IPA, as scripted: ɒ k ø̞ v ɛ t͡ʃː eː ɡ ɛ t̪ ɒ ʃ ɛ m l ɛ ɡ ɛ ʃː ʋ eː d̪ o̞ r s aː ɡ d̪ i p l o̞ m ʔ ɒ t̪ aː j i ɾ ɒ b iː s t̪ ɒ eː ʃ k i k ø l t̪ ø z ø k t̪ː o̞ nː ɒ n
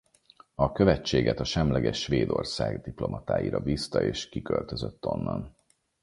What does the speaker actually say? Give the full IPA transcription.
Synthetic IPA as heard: ɒ k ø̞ v ɛ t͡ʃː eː ɡ ɛ t̪ ɒ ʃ ɛ m l ɛ ɡ ɛ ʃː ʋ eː d̪ o̞ r s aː ɡ d̪ i p l o̞ m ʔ ɒ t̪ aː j i ɾ ɒ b iː s t̪ ɒ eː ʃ k i k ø l t̪ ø z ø t̪ː o̞ nː ɒ n